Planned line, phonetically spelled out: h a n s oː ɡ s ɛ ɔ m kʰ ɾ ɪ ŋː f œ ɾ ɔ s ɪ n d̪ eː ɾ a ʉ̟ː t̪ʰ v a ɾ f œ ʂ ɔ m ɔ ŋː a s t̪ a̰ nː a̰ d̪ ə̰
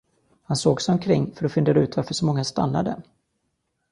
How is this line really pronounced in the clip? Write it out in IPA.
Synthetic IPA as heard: h a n s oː ɡ s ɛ ɔ m kʰ ɾ ɪ ŋː f œ ɾ ɔ f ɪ n d̪ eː ɾ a ʉ̟ː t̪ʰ v a ɾ f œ ʂ ɔ m ɔ ŋː a s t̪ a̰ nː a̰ d̪ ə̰